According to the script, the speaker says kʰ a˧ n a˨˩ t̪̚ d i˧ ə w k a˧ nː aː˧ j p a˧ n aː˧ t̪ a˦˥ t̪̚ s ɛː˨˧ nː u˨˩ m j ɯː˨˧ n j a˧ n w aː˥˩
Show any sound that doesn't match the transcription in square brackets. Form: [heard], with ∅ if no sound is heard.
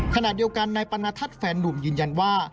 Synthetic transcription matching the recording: kʰ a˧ n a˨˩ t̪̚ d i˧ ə w k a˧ nː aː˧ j p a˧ n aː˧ [t̪ʰ] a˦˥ t̪̚ [f] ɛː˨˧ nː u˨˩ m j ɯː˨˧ n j a˧ n w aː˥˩